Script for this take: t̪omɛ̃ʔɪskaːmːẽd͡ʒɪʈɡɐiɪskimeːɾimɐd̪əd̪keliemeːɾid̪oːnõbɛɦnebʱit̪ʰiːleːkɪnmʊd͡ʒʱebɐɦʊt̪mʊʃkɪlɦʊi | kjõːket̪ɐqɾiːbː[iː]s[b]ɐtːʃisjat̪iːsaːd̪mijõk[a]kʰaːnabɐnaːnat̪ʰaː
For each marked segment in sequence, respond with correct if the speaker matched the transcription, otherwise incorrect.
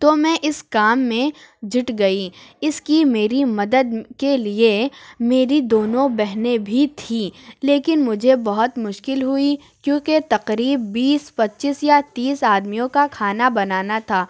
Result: correct, incorrect: p, correct

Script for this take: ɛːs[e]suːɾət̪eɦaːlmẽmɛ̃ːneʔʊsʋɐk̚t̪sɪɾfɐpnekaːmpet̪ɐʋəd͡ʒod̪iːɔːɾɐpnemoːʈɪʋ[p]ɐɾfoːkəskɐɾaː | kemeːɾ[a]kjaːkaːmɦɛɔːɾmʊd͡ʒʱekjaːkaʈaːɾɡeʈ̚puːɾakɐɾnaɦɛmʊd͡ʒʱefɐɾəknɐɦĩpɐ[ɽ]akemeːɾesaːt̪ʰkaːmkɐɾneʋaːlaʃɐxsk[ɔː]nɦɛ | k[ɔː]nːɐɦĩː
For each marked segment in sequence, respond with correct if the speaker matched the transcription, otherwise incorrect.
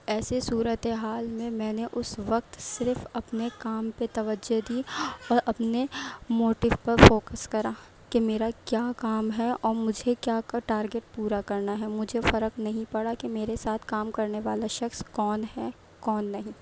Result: correct, correct, correct, correct, correct, correct

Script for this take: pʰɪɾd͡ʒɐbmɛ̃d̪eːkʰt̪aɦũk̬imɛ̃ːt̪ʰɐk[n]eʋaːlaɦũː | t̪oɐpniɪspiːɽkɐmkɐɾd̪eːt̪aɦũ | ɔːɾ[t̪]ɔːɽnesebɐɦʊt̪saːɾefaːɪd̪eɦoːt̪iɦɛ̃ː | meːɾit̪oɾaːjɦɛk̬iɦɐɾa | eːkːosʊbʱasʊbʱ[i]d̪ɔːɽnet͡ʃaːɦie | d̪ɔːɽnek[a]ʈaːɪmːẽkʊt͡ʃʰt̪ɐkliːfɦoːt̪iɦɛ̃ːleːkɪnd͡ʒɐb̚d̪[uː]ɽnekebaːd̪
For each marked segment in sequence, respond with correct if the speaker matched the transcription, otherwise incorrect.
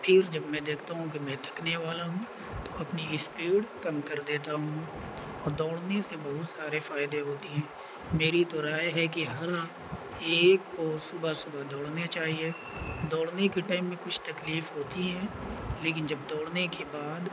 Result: correct, incorrect: d̪, incorrect: a, incorrect: e, incorrect: ɔː

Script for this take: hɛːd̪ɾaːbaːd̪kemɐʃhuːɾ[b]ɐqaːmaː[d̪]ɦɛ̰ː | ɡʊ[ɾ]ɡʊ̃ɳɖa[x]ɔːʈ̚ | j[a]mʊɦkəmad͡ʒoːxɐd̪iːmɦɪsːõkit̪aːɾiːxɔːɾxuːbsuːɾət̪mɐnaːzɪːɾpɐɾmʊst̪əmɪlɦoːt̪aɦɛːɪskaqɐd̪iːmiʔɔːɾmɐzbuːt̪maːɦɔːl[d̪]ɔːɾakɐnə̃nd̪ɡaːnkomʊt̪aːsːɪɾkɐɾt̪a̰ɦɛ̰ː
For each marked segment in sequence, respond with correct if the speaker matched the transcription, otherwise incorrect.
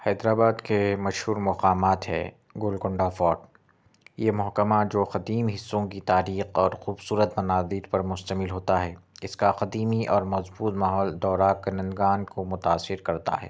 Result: incorrect: m, incorrect: t̪, incorrect: l, incorrect: f, incorrect: e, correct

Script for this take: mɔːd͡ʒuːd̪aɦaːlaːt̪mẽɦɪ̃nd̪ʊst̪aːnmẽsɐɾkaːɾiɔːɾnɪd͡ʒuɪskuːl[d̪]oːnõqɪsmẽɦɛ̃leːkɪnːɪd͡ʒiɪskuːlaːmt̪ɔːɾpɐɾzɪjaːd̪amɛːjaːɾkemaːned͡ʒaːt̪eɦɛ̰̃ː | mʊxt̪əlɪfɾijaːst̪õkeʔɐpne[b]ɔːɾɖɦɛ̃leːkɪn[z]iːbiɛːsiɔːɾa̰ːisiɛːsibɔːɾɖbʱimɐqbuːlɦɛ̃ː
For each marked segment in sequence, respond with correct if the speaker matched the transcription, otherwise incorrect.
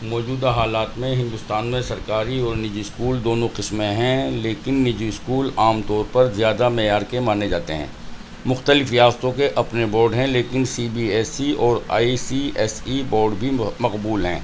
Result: correct, correct, incorrect: s

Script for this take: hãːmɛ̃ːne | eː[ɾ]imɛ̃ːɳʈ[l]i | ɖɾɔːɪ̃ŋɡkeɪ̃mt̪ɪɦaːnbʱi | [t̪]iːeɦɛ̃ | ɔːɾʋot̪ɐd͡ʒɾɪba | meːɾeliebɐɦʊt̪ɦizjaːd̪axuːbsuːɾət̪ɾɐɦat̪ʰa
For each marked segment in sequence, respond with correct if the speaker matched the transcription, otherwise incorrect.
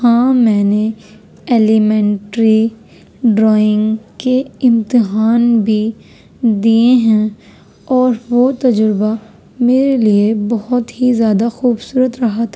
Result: incorrect: l, incorrect: ɾ, incorrect: d̪

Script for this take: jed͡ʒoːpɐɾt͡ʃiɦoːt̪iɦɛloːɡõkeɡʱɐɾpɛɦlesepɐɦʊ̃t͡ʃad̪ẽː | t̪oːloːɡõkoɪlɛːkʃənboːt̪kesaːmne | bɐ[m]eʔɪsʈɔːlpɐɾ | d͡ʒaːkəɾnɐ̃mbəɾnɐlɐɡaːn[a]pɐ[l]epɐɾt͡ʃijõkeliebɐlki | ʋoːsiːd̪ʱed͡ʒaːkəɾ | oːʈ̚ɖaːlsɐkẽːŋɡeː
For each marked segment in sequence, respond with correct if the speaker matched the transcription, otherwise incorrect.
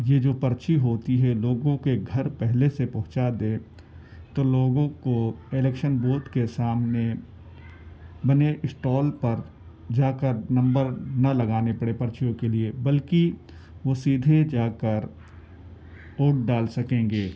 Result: incorrect: n, incorrect: e, incorrect: ɽ

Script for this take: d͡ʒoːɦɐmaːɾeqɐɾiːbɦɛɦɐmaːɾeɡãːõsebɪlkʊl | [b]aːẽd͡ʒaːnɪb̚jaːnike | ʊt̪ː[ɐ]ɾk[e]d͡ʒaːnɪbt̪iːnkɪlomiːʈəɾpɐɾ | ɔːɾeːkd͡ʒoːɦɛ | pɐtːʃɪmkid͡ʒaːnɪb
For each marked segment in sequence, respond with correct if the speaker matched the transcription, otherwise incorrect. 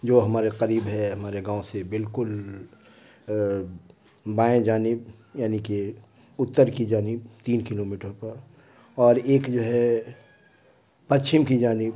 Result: correct, incorrect: ə, incorrect: i

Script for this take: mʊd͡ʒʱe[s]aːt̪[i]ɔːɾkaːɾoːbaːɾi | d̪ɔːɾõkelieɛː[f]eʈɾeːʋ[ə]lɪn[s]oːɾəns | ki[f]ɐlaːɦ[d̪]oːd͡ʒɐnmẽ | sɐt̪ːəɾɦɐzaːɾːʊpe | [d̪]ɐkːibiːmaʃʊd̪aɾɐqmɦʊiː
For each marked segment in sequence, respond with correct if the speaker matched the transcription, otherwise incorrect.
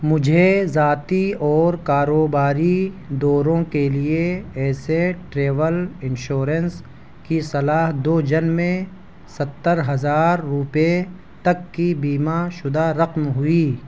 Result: incorrect: z, correct, incorrect: s, correct, incorrect: ʃ, incorrect: s, correct, incorrect: t̪

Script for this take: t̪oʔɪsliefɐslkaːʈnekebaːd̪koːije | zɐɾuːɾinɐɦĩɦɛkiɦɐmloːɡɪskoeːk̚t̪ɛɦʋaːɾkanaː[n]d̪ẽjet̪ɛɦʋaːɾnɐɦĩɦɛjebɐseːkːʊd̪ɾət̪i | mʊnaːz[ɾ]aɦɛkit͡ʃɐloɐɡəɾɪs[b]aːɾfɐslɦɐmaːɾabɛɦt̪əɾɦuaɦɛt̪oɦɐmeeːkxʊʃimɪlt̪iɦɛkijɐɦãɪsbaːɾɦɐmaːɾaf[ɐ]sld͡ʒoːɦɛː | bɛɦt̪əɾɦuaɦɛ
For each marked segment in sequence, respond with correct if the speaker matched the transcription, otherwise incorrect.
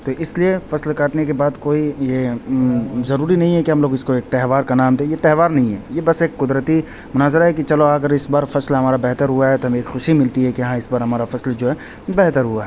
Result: incorrect: m, correct, correct, correct

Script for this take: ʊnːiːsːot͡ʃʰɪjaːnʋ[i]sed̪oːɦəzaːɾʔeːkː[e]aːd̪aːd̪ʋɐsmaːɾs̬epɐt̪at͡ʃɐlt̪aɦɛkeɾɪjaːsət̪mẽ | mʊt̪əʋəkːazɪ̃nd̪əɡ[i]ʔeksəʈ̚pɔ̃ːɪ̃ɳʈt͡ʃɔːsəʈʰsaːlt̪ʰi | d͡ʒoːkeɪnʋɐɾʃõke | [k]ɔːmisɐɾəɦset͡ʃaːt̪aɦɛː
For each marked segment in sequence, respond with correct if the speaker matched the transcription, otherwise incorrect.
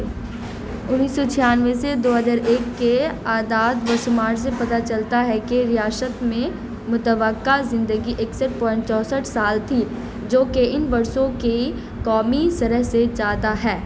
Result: incorrect: e, correct, correct, correct

